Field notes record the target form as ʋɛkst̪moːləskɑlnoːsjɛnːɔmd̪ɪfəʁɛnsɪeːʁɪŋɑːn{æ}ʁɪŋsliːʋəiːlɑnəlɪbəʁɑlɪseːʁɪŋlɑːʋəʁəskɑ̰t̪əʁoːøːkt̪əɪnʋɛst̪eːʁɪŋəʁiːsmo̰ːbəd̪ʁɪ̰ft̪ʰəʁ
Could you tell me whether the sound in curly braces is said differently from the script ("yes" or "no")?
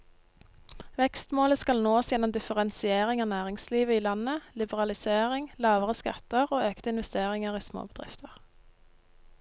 yes